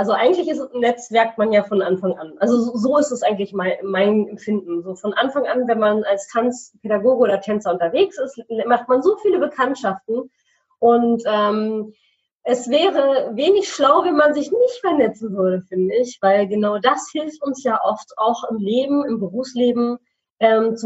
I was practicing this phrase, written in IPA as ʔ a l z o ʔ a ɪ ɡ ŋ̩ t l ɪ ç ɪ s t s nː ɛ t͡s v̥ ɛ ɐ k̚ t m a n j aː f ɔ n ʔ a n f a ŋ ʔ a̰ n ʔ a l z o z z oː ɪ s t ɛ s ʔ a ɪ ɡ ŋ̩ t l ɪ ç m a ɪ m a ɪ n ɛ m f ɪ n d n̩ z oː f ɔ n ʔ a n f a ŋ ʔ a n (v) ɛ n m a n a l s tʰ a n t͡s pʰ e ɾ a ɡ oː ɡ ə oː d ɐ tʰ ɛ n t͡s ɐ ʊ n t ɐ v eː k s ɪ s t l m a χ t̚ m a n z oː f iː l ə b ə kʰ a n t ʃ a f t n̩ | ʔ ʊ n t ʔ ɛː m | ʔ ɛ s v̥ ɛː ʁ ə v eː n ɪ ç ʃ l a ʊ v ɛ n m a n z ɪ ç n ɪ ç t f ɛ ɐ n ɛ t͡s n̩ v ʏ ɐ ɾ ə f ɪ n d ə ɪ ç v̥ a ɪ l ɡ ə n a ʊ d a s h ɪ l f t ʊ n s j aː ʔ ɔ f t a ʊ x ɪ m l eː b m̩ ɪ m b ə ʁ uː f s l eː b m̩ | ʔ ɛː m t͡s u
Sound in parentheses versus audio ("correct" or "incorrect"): correct